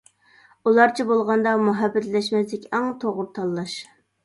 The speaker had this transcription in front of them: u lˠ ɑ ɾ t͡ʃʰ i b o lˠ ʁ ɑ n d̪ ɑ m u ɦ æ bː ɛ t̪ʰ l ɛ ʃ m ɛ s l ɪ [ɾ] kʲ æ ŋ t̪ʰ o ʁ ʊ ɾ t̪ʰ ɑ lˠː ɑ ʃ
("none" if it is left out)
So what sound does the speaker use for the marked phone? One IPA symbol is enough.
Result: none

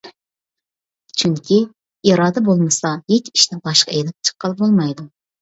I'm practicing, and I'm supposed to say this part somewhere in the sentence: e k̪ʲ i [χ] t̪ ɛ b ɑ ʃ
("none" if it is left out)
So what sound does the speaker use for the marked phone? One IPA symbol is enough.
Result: ʃ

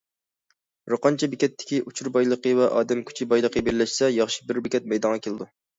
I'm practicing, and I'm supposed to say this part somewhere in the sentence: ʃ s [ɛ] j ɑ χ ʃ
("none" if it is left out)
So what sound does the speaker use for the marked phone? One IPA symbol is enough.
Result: ɛ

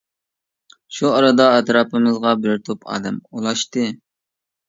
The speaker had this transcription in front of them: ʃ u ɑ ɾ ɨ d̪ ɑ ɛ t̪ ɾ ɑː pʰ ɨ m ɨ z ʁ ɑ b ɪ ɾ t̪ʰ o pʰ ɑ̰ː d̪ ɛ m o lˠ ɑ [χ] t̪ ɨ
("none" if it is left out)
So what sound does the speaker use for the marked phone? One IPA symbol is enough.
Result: ʃ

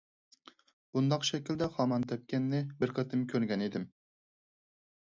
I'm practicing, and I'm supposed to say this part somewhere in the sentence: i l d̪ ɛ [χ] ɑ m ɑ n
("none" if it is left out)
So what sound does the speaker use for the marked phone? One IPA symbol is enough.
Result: χ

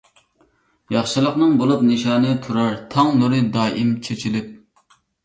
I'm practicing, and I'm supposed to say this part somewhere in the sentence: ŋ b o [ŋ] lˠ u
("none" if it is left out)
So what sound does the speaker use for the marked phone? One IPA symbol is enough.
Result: none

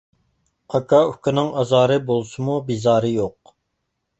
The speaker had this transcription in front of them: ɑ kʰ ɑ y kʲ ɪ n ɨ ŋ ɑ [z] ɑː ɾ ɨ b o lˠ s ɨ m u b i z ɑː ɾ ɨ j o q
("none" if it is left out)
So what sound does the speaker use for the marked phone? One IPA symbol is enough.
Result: z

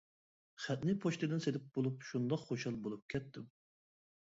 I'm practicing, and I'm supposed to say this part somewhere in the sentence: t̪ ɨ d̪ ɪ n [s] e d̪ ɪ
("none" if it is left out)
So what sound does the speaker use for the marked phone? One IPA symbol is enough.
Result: s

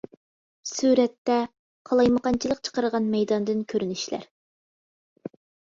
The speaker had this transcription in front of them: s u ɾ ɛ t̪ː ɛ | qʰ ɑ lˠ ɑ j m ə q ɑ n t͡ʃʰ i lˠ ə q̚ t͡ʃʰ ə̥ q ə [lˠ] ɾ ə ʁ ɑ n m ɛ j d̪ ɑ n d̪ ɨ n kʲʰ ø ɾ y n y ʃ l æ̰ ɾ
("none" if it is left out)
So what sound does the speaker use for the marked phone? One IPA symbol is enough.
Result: none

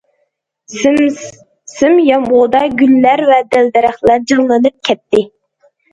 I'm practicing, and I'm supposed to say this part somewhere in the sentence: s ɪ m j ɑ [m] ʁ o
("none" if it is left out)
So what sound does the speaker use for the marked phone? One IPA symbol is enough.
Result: m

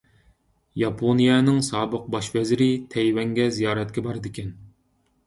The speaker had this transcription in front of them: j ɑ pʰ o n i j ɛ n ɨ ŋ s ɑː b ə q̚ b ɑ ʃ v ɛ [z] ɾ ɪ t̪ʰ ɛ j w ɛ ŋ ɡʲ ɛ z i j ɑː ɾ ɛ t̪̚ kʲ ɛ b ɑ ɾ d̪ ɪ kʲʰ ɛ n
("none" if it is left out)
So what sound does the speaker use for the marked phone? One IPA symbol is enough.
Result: z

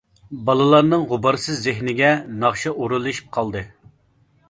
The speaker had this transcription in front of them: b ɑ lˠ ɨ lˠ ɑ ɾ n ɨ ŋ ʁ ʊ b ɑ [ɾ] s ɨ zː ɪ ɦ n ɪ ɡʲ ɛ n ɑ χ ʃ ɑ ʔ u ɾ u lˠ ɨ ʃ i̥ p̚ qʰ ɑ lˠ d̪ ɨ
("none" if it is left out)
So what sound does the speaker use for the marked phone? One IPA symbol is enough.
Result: ɾ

